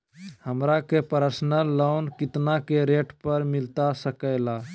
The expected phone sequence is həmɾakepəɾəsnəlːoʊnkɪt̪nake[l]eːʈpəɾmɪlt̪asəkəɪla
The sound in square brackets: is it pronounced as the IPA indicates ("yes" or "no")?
no